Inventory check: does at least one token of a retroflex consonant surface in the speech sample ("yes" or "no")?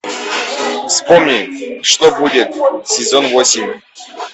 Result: yes